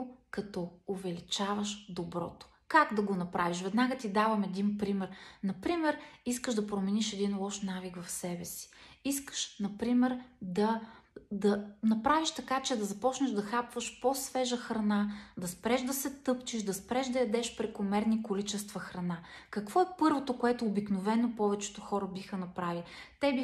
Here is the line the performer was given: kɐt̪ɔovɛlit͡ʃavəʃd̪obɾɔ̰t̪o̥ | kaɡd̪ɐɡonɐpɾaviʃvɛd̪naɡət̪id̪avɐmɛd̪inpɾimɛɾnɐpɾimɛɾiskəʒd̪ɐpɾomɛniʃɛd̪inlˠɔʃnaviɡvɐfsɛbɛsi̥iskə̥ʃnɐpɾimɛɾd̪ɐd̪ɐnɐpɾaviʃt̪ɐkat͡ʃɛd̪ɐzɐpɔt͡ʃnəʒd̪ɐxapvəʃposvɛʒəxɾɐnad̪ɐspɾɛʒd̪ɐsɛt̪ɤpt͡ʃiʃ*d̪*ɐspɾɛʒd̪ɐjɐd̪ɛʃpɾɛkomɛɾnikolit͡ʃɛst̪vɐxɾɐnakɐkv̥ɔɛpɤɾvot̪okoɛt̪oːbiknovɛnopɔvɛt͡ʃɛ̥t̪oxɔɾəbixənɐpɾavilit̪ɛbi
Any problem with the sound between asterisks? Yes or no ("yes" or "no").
no